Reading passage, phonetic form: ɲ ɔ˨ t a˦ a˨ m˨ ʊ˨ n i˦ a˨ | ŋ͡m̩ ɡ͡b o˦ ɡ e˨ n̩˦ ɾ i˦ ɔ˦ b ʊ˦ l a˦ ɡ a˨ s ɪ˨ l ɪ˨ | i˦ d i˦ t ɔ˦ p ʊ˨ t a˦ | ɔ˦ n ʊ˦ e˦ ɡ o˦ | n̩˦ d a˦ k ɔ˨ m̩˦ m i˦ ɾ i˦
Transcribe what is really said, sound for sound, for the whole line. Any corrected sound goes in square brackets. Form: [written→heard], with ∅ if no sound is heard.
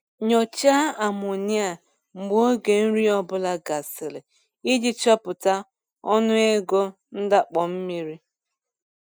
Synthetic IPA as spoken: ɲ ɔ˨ [t→t͡ʃ] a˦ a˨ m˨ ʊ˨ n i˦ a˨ | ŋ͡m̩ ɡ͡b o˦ ɡ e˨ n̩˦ ɾ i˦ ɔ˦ b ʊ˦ l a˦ ɡ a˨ s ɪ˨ l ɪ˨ | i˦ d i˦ [t→t͡ʃ] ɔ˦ p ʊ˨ t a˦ | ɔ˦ n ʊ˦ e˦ ɡ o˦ | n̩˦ d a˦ [k→k͡p] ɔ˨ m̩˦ m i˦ ɾ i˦